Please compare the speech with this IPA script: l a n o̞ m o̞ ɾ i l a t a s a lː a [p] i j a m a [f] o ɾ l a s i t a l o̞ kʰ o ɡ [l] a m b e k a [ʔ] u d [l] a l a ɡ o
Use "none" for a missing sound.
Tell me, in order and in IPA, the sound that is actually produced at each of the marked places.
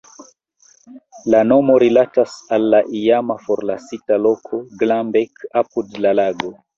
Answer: ʔ, f, l, p, l

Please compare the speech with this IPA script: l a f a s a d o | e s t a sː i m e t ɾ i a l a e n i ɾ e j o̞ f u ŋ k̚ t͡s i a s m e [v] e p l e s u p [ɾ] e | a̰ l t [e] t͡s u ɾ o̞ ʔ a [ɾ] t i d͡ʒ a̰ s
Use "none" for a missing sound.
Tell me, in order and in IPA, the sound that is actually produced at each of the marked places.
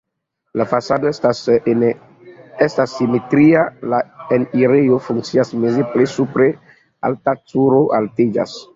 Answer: z, ɾ, a, l

